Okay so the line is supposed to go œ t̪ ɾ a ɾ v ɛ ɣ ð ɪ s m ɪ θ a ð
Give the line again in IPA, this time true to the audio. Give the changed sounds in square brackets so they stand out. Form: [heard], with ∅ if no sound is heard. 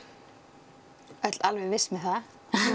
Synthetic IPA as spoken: œ t̪ [l] a [l] v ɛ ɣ [v] ɪ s m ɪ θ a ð